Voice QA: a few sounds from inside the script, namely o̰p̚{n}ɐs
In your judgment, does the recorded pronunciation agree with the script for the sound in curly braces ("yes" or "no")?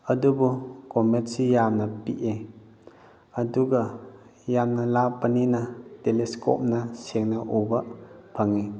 yes